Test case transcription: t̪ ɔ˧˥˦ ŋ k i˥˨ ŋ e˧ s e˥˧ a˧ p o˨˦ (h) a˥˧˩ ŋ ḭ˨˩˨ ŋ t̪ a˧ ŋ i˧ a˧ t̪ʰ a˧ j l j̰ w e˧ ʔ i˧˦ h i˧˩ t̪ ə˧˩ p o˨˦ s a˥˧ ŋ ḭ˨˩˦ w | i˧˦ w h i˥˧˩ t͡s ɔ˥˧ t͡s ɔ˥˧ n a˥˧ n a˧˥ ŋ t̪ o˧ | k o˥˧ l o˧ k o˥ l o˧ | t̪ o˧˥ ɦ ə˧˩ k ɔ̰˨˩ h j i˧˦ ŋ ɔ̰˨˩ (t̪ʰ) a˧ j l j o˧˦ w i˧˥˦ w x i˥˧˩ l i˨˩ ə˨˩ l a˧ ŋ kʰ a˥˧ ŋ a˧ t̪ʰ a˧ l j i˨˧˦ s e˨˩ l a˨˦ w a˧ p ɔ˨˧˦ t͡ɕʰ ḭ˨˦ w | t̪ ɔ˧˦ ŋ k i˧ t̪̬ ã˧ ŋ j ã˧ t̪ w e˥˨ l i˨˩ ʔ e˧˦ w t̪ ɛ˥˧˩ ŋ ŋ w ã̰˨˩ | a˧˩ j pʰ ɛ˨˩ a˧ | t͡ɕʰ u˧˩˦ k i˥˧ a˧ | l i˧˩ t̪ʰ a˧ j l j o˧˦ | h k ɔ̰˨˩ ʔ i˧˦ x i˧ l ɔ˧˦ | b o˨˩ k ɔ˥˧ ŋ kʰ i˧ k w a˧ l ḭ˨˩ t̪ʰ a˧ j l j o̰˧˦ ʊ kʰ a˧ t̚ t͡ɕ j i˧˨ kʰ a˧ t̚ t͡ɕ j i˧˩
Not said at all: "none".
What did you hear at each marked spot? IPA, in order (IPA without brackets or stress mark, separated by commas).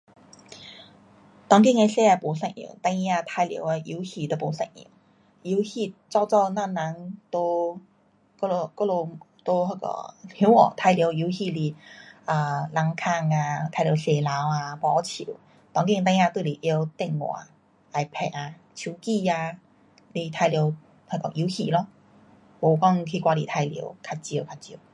s, t̪ʰ